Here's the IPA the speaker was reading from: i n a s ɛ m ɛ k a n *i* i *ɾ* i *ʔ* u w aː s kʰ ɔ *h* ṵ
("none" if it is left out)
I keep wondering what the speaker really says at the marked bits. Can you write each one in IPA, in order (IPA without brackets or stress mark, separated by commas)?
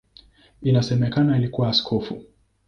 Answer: a, l, k, f